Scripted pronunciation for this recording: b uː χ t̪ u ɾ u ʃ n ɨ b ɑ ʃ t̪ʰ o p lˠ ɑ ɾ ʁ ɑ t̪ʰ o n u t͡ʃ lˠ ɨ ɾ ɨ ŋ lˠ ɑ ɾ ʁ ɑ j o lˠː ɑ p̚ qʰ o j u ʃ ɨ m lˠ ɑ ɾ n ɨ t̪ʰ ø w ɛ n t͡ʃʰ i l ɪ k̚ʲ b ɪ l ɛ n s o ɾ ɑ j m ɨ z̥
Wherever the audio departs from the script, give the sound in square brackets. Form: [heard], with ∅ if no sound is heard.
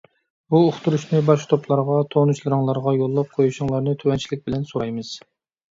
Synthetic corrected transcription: b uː χ t̪ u ɾ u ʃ n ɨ b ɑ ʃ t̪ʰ o p lˠ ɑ ɾ ʁ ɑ t̪ʰ o n u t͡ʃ lˠ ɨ ɾ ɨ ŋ lˠ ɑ ɾ ʁ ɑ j o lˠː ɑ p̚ qʰ o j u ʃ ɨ [ŋ] lˠ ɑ ɾ n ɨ t̪ʰ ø w ɛ n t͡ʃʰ i l ɪ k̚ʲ b ɪ l ɛ n s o ɾ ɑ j m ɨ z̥